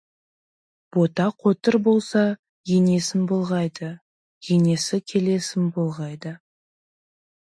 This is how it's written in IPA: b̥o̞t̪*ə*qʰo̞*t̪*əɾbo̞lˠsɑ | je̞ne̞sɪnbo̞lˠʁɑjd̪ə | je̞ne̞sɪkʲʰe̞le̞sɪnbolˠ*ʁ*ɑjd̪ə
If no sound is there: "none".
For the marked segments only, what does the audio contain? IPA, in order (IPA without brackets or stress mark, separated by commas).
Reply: ɑ, t̪, ʁ